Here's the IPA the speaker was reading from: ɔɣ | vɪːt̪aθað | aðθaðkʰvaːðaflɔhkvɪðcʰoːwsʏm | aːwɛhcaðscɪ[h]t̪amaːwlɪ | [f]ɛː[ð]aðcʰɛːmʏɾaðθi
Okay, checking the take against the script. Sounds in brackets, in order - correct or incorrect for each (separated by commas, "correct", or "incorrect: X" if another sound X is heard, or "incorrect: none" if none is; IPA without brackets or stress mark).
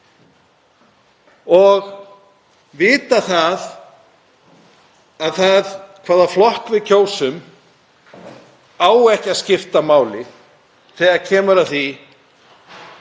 incorrect: f, incorrect: θ, incorrect: ɣ